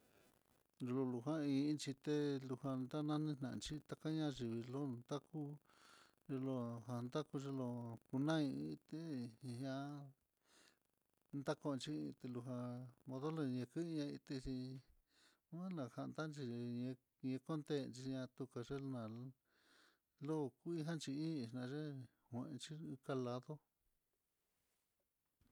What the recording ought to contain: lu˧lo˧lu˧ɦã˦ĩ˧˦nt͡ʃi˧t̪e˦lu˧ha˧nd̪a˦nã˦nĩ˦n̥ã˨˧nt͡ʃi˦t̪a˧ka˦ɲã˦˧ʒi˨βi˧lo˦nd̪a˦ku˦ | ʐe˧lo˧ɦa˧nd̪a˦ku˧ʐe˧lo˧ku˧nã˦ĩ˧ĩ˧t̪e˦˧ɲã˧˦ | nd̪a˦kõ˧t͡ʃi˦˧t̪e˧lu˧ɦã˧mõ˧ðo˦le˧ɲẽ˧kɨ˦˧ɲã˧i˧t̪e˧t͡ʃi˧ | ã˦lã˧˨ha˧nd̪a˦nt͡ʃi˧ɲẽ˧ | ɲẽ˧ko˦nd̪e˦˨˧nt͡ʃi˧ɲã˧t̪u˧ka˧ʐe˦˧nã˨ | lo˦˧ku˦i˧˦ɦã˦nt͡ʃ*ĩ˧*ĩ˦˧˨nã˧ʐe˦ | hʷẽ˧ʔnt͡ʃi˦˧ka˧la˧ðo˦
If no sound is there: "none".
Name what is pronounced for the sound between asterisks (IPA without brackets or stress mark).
i˧